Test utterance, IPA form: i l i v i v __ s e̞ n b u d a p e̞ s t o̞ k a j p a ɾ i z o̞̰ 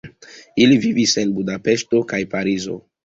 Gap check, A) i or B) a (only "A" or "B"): A